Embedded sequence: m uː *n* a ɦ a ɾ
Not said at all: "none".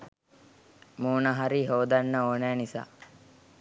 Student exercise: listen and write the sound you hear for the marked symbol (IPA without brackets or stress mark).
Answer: n